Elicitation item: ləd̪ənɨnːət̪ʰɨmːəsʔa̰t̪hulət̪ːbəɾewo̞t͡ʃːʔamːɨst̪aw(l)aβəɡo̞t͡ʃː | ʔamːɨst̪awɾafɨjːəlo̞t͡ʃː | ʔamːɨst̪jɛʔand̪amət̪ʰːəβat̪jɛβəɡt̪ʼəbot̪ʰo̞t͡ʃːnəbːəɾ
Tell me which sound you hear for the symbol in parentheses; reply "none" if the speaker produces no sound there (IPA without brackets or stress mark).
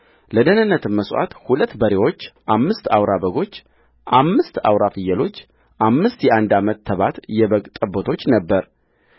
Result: ɾ